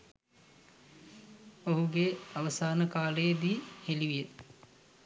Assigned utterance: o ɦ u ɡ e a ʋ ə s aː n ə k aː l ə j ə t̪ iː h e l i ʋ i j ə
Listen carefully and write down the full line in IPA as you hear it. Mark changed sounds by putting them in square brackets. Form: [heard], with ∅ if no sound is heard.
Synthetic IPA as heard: o ɦ u ɡ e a ʋ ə s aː n ə k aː l ə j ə [d̪] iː h e l i ʋ i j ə